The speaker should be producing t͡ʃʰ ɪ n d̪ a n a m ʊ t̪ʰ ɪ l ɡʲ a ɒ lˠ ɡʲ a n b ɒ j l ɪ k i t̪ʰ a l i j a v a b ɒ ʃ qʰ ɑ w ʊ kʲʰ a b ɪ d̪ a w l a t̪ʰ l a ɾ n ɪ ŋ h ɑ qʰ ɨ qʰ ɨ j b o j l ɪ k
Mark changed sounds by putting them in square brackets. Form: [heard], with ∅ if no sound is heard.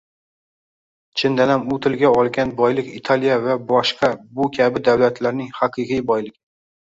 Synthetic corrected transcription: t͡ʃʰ ɪ n d̪ a n a m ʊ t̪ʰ ɪ l ɡʲ a ɒ lˠ ɡʲ a n b ɒ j l ɪ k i t̪ʰ a l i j a v a b ɒ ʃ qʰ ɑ [b] ʊ kʲʰ a b ɪ d̪ a w l a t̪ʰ l a ɾ n ɪ ŋ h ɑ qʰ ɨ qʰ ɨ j b [ɒ] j l ɪ k